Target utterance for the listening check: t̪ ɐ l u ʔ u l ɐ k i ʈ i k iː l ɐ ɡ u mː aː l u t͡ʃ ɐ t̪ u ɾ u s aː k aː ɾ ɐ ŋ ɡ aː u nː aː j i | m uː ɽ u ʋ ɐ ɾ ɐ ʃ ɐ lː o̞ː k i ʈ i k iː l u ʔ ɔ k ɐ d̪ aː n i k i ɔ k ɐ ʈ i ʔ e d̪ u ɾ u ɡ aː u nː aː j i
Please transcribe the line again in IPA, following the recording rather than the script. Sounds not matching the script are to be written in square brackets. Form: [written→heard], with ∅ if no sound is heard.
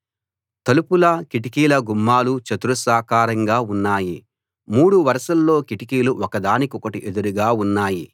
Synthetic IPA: t̪ ɐ l u [ʔ→p] u l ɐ k i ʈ i k iː l ɐ ɡ u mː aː l u t͡ʃ ɐ t̪ u ɾ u s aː k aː ɾ ɐ ŋ ɡ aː u nː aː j i | m uː ɽ u ʋ ɐ ɾ ɐ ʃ ɐ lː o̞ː k i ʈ i k iː l u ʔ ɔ k ɐ d̪ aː n i k i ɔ k ɐ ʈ i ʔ e d̪ u ɾ u ɡ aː u nː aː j i